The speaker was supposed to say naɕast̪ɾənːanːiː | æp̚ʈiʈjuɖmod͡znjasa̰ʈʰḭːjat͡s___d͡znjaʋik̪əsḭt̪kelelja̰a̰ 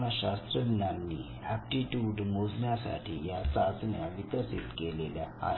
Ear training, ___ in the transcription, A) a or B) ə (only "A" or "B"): A